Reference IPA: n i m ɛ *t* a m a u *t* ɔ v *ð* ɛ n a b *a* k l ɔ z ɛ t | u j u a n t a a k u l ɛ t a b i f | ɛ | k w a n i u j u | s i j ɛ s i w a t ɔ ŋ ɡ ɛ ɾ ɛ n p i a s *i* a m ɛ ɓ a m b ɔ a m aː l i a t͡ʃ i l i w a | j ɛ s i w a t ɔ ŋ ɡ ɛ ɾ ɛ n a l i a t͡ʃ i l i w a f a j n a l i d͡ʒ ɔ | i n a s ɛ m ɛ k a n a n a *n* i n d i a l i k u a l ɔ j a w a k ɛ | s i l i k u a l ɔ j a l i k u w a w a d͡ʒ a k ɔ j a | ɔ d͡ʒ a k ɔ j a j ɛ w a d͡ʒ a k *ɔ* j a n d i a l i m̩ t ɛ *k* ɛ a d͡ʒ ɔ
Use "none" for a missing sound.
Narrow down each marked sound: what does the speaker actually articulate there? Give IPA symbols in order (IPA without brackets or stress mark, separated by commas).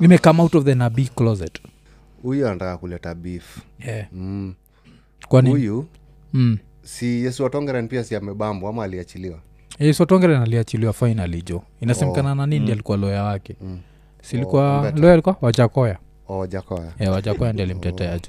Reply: k, t, ð, i, i, n, ɔ, t